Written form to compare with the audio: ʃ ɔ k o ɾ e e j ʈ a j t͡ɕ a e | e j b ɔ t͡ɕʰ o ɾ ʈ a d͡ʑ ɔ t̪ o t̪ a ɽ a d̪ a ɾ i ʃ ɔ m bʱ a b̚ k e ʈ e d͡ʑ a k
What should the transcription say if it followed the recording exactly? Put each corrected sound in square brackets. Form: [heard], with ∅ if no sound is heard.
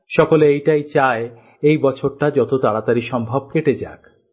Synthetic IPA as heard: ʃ ɔ k o [l] e e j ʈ a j t͡ɕ a e | e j b ɔ t͡ɕʰ o ɾ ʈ a d͡ʑ ɔ t̪ o t̪ a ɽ a [t̪] a ɾ i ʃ ɔ m bʱ a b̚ k e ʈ e d͡ʑ a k